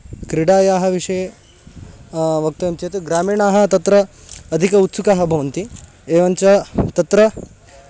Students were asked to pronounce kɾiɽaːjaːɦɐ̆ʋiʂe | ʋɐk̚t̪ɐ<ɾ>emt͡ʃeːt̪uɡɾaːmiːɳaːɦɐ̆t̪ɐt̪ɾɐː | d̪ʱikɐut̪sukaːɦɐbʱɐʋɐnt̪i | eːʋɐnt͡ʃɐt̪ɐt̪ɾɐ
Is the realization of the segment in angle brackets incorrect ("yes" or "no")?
yes